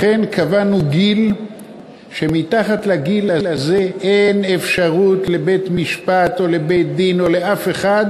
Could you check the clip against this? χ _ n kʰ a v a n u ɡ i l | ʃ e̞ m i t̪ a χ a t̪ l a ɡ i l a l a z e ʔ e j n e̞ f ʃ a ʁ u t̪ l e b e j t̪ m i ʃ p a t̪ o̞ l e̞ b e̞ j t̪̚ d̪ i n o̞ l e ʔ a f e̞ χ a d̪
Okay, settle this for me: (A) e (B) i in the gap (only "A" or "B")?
A